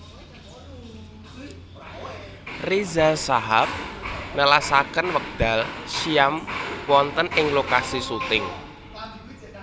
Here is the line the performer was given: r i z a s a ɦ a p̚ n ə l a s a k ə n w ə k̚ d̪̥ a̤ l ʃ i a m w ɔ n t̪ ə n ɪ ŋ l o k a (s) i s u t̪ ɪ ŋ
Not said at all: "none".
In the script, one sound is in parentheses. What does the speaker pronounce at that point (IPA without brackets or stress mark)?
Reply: s